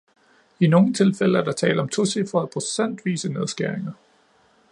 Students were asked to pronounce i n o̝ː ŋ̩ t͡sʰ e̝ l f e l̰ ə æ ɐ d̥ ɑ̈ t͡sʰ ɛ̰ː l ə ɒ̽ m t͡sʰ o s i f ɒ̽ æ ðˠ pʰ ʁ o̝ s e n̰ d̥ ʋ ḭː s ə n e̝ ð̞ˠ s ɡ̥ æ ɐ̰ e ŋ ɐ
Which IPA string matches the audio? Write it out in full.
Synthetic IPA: i n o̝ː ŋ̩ t͡sʰ e̝ l f e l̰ ə æ ɐ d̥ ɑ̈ t͡sʰ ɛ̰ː l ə ɒ̽ m t͡sʰ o s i f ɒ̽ æ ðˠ pʰ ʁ o̝ s e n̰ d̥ ʋ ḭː s ə n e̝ ð̞ˠ s ɡ̥ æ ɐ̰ e ŋ ɐ